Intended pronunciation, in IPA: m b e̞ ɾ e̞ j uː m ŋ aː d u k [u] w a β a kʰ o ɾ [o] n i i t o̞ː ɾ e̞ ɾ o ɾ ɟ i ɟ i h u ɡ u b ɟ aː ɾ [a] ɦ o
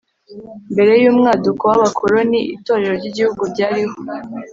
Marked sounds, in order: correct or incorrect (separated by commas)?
incorrect, correct, incorrect